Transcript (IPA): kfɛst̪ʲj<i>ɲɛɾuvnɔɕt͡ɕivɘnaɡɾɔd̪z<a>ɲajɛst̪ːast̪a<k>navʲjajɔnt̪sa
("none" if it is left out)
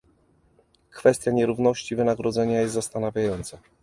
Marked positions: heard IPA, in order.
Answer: a, ɛ, none

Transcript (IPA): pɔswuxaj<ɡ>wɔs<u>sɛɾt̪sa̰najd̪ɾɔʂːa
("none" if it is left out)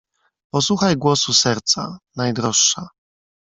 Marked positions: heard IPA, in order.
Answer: ɡ, u

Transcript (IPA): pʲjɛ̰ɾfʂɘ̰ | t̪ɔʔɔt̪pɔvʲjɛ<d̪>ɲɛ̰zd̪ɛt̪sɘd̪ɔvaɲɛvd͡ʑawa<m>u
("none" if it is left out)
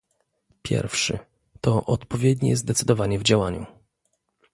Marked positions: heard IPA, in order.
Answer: d̪, ɲ

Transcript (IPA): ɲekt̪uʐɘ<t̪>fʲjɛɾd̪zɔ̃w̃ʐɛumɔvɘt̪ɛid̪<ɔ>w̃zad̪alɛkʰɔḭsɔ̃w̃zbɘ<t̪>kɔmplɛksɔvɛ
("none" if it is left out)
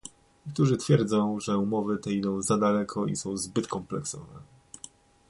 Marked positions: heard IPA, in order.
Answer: t̪, ɔ̃, t̪

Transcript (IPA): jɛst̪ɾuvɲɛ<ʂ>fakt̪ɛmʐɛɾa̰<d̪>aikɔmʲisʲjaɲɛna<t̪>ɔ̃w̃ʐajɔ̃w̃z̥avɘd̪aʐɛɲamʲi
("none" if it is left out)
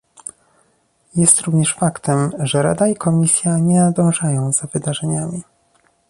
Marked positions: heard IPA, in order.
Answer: ʂ, d̪, d̪

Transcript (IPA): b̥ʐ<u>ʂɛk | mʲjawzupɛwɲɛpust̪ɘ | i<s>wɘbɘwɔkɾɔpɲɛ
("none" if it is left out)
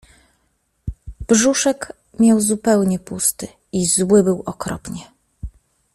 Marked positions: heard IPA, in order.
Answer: u, z

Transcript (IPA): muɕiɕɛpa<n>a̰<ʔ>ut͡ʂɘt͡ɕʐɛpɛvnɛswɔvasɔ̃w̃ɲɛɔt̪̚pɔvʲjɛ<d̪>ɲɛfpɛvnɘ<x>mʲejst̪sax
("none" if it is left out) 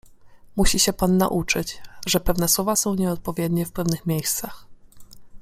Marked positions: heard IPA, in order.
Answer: nː, ʔ, d̪, x

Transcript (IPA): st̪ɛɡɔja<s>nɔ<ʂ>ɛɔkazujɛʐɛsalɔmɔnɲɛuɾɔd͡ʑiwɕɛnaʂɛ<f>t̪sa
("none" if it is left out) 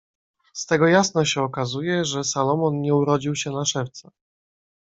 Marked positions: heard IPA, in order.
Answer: s, ɕ, f

